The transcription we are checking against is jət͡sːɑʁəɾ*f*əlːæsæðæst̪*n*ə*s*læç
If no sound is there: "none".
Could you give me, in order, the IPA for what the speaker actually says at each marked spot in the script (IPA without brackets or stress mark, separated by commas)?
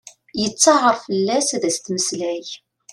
f, m, s